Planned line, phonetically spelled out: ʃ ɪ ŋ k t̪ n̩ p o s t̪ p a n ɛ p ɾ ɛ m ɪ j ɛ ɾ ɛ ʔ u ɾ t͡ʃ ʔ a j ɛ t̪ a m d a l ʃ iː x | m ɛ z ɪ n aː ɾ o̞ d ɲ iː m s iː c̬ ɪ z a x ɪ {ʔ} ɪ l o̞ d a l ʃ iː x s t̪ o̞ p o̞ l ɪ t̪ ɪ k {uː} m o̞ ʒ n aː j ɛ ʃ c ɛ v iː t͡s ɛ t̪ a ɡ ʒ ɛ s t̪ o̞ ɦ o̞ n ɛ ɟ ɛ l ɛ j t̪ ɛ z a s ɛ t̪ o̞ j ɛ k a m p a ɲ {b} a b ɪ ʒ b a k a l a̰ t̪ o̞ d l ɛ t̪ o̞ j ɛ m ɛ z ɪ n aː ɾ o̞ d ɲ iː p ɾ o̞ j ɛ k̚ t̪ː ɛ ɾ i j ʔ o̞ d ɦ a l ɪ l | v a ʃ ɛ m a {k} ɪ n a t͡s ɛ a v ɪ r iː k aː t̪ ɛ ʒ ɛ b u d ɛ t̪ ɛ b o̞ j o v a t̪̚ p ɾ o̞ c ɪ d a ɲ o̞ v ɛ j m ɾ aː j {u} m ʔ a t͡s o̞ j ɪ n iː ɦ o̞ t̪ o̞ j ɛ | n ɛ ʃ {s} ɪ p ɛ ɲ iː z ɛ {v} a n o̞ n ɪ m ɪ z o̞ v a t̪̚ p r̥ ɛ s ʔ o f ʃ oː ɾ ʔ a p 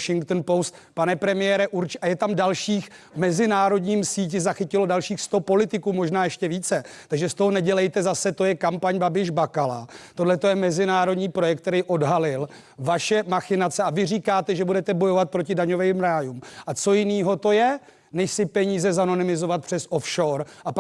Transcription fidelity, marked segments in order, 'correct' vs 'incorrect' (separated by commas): incorrect, correct, correct, incorrect, correct, correct, incorrect